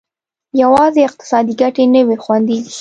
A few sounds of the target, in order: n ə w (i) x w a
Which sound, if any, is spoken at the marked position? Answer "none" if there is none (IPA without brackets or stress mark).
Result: e